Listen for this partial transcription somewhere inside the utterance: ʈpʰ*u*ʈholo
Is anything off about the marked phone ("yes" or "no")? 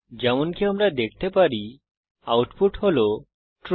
no